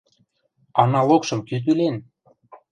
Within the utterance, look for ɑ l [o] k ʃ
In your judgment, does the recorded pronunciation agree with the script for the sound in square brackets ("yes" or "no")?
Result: yes